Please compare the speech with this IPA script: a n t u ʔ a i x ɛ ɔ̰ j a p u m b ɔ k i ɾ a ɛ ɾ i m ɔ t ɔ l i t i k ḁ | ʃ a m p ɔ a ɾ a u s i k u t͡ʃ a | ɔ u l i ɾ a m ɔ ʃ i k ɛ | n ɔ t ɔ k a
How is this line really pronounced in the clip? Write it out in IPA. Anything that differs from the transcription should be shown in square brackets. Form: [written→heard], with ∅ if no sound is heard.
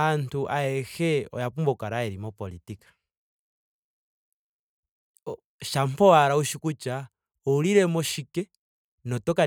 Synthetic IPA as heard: a n t u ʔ a [i→ɛ] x ɛ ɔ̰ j a p u m b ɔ k [i→a] ɾ a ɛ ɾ i m ɔ [t→p] ɔ l i t i k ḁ | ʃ a m p ɔ a ɾ a u [s→ʃ] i k u t͡ʃ a | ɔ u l i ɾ [a→ɛ] m ɔ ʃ i k ɛ | n ɔ t ɔ k a